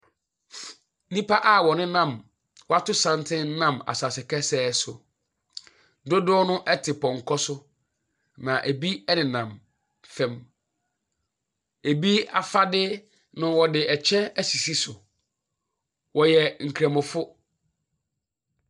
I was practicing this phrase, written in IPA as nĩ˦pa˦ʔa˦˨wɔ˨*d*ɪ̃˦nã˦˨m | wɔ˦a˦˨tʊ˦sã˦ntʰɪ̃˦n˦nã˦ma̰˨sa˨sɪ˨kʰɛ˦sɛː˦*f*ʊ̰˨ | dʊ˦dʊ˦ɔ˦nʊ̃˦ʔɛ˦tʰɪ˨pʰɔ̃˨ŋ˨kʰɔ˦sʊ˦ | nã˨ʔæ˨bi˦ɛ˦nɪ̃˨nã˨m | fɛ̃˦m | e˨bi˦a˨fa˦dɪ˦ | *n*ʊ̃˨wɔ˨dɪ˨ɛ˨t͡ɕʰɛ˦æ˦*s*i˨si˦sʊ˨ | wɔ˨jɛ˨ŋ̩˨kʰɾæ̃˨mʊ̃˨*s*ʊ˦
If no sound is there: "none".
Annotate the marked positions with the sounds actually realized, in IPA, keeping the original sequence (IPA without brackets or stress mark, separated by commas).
n, s, n, s, f